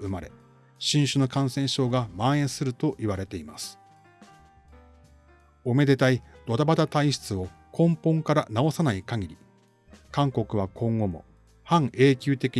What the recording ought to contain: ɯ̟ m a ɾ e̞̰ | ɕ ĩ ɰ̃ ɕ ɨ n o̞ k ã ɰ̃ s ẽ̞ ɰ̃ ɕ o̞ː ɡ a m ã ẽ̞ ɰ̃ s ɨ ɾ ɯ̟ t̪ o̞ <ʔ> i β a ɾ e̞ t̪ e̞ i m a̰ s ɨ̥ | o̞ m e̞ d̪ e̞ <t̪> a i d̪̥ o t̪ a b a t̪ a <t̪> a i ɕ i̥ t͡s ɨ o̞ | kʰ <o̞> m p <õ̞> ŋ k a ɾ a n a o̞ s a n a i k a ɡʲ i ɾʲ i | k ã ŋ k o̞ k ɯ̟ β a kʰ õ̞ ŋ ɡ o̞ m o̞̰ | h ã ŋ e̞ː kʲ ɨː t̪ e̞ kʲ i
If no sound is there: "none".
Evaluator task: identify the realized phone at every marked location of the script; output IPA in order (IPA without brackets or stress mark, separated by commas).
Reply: ʔ, t̪, t̪, õ̞, õ̞